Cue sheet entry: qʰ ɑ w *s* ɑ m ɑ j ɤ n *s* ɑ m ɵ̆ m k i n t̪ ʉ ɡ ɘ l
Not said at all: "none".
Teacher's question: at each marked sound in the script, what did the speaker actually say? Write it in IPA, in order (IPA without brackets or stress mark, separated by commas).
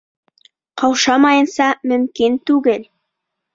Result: ʃ, s